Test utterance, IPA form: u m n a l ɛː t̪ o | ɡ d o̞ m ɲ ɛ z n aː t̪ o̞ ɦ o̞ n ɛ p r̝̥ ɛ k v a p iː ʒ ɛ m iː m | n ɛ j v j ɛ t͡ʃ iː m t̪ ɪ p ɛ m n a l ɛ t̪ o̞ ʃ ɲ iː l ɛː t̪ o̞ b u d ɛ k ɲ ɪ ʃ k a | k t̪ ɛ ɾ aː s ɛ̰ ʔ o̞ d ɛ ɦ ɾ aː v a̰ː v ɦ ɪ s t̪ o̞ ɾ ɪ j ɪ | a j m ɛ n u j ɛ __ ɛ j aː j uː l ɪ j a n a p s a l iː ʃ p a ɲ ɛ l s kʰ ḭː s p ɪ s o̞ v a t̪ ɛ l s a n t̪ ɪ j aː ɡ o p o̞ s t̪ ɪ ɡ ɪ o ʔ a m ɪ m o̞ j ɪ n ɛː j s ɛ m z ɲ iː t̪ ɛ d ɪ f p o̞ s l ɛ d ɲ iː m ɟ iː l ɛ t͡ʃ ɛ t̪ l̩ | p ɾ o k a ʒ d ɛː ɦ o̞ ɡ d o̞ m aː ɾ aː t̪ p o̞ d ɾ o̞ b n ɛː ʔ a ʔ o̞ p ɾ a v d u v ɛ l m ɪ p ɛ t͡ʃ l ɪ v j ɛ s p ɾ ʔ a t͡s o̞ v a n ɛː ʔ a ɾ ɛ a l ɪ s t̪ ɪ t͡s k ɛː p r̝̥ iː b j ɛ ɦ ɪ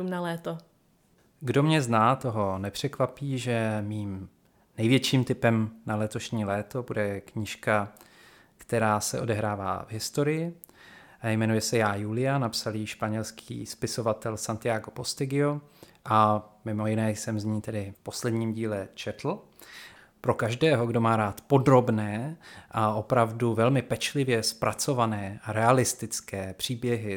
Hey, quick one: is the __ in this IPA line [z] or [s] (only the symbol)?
s